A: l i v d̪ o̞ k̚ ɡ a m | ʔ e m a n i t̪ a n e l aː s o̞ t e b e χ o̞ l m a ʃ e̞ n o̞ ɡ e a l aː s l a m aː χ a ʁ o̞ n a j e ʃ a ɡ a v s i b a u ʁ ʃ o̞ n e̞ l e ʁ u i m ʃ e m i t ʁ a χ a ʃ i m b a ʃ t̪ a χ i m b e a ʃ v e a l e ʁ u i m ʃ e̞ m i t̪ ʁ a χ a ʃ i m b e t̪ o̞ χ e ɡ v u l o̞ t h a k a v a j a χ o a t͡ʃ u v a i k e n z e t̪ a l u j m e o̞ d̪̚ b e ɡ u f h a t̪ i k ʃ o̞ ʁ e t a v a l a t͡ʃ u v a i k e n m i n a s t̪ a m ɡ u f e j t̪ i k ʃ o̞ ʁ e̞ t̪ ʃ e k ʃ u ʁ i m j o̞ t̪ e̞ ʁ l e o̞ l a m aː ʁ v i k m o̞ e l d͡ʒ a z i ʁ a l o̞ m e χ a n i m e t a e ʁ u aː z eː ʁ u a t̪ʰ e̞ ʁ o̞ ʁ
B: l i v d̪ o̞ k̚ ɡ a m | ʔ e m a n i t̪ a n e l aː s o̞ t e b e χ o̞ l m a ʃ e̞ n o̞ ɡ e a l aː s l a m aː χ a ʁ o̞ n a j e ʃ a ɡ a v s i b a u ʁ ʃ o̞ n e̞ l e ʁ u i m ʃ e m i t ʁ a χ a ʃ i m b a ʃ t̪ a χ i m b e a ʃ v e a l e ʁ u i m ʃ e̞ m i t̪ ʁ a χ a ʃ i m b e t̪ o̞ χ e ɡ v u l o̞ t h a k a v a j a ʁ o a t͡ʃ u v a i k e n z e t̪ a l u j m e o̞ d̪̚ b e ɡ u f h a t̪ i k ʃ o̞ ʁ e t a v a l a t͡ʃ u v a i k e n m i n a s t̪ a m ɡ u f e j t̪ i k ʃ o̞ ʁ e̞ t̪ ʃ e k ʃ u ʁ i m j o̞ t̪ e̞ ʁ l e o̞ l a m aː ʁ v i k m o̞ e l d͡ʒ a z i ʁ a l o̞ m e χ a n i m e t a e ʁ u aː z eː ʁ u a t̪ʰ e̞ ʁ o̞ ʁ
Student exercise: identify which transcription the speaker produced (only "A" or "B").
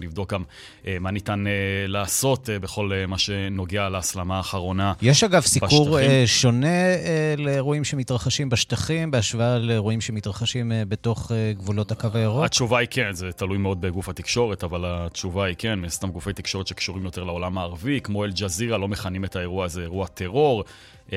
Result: B